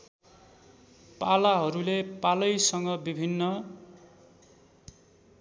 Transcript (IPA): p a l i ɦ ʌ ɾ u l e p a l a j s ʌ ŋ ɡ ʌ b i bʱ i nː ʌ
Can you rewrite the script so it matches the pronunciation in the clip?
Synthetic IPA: p a l a ɦ ʌ ɾ u l e p a l ʌ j s ʌ ŋ ɡ ʌ b i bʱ i nː ʌ